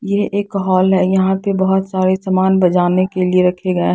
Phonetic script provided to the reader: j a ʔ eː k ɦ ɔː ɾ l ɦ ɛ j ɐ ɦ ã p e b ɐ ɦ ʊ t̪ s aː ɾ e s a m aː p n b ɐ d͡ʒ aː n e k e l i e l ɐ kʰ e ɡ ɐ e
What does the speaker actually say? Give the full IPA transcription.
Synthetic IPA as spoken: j e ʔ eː k ɦ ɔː l ɦ ɛ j ɐ ɦ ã p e b ɐ ɦ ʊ t̪ s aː ɾ e s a m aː n b ɐ d͡ʒ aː n e k e l i e ɾ ɐ kʰ e ɡ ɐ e

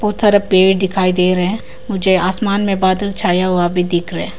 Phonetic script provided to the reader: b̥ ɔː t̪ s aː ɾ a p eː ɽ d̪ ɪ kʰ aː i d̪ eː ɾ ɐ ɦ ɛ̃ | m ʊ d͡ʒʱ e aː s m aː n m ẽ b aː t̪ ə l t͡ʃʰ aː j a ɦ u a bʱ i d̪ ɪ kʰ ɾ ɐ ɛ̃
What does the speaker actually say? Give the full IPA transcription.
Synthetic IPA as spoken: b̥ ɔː t̪ s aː ɾ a p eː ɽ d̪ ɪ kʰ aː i d̪ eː ɾ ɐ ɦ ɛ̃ | m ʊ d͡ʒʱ e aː s m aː n m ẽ b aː d̪ ə l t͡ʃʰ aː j a ɦ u a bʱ i d̪ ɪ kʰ ɾ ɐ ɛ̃

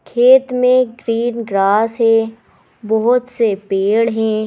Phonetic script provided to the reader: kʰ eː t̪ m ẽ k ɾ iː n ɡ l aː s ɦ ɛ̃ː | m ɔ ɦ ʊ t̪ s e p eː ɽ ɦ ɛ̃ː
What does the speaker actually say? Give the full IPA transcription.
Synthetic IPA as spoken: kʰ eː t̪ m ẽ ɡ ɾ iː n ɡ ɾ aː s ɦ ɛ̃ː | b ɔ ɦ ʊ t̪ s e p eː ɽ ɦ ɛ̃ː

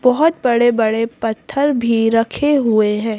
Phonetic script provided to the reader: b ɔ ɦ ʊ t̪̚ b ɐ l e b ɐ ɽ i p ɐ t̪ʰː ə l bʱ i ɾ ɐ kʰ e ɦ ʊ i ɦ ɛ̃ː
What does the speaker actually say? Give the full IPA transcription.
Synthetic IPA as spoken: b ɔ ɦ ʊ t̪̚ b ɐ ɽ e b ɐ ɽ e p ɐ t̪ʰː ə ɾ bʱ i ɾ ɐ kʰ e ɦ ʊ e ɦ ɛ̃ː

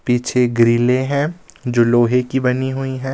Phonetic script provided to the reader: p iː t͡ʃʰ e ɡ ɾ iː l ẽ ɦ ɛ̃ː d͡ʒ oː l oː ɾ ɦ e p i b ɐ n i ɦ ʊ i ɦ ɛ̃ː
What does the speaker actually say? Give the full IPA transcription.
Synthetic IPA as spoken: p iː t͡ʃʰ e ɡ ɾ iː l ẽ ɦ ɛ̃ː d͡ʒ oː l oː ɦ e k i b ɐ n i ɦ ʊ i ɦ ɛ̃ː

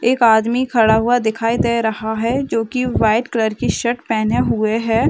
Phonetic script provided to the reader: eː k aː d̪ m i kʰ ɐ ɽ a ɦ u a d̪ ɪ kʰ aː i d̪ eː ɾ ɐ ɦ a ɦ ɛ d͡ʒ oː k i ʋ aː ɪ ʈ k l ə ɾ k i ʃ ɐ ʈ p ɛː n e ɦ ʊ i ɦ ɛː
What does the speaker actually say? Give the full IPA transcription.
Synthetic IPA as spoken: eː k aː d̪ m i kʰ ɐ ɽ a ɦ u a d̪ ɪ kʰ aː i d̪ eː ɾ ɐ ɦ a ɦ ɛ d͡ʒ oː k i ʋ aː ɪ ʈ k l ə ɾ k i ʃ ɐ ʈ p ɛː n e ɦ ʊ e ɦ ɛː

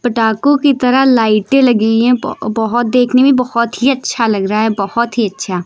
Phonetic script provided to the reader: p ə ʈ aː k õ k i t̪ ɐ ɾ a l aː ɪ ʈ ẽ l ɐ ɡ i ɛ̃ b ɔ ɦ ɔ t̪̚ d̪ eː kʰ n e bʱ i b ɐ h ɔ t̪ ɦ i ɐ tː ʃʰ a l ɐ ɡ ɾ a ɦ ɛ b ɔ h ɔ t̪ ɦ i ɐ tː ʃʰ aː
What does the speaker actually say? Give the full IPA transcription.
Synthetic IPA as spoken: p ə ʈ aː k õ k i t̪ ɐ ɾ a l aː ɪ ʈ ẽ l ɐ ɡ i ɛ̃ b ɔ ɦ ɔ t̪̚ d̪ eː kʰ n e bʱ i b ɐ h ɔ t̪ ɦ i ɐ tː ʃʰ a l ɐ ɡ ɾ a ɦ ɛ b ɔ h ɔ t̪ ɦ i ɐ tː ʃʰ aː

